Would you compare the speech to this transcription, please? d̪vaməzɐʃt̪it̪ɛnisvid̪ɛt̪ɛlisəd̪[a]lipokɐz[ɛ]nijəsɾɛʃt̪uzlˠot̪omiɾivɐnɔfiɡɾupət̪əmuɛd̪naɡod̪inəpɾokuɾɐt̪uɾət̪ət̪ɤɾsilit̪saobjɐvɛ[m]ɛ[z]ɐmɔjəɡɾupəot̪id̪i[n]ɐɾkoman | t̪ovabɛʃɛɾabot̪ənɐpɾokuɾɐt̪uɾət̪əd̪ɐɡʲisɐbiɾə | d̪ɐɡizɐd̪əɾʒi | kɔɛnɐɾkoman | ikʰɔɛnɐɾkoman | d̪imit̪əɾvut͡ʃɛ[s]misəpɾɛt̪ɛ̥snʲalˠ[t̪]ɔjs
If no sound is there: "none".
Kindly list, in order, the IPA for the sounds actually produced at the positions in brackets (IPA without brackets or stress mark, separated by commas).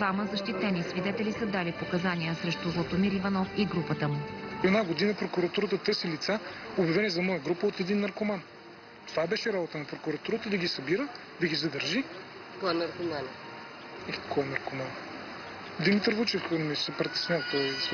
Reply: a, a, n, z, nː, f, t̪